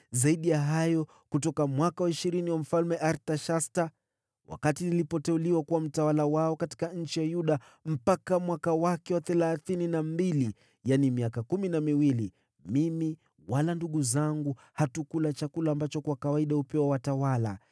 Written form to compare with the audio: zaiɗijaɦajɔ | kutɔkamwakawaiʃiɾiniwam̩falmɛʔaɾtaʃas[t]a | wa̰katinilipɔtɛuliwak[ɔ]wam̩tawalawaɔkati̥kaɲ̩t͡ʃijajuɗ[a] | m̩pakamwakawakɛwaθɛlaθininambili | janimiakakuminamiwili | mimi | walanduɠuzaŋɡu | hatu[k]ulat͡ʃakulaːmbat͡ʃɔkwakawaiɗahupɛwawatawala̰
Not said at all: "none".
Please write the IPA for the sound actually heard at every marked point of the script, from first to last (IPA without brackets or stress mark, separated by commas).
t, u, a, k